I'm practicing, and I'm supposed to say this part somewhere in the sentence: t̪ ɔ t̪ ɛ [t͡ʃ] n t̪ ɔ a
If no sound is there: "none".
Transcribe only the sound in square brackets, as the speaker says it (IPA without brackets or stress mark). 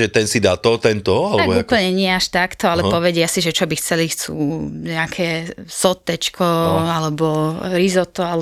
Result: none